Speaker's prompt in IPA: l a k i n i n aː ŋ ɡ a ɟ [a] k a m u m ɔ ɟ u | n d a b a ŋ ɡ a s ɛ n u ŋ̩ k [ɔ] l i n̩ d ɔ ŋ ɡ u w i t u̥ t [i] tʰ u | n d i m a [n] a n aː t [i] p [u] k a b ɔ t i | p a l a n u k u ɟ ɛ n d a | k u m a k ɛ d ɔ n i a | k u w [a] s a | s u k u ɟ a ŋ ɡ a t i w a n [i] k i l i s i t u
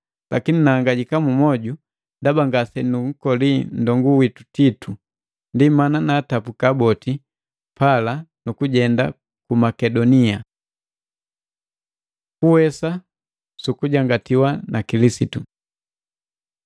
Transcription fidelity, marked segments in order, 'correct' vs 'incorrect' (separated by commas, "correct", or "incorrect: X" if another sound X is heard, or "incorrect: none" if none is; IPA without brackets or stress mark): incorrect: i, correct, correct, correct, incorrect: a, correct, incorrect: ɛ, incorrect: a